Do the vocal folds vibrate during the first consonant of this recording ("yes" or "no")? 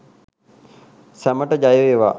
no